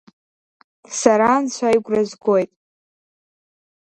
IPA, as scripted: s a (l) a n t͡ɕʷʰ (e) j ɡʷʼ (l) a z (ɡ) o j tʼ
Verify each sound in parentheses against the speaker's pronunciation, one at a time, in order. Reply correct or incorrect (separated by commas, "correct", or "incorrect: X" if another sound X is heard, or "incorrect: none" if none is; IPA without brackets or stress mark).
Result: incorrect: ɾ, incorrect: a, incorrect: r, correct